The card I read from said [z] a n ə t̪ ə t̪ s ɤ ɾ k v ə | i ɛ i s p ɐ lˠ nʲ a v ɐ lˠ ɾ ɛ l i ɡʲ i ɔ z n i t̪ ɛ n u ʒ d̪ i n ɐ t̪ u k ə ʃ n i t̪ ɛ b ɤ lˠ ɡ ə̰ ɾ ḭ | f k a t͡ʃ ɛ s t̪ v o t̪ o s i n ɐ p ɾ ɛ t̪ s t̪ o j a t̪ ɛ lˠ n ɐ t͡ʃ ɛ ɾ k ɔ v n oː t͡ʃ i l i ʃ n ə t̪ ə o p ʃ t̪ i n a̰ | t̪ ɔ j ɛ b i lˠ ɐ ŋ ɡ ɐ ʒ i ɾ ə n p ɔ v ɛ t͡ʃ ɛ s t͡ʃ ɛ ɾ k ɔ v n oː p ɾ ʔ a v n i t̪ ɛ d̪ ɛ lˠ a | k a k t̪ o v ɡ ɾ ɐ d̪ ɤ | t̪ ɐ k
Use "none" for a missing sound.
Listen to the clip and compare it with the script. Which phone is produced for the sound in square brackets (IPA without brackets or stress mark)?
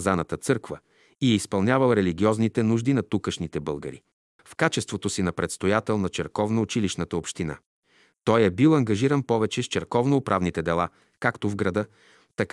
z